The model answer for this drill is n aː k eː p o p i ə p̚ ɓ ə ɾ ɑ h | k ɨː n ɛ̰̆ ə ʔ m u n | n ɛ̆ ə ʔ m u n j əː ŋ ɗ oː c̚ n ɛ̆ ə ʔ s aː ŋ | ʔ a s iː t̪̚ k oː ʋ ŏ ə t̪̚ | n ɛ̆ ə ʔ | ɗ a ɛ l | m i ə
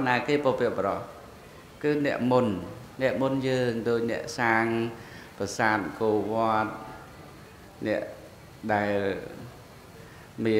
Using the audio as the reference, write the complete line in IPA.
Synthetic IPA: n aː k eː p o p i ə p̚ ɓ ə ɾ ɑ h | k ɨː n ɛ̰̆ ə ʔ m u n | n ɛ̆ ə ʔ m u n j əː ŋ ɗ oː c̚ n ɛ̆ ə ʔ s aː ŋ | p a s aː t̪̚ k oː ʋ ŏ ə t̪̚ | n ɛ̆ ə ʔ | ɗ a ɛ l | m i ə